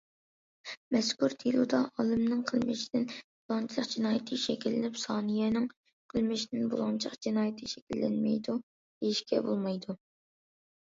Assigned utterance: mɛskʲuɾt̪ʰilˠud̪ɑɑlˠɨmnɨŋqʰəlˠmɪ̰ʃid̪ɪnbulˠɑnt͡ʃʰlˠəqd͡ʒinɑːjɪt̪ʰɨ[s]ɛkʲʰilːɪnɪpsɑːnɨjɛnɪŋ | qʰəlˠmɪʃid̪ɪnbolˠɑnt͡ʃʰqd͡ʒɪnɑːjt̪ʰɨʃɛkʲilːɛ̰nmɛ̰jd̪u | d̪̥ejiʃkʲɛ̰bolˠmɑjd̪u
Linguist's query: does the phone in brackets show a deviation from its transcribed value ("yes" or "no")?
yes